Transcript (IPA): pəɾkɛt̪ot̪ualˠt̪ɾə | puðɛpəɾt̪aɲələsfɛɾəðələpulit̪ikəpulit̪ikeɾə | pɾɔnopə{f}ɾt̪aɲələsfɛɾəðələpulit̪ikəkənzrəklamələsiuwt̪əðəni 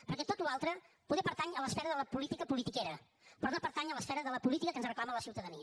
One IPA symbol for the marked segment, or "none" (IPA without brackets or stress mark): none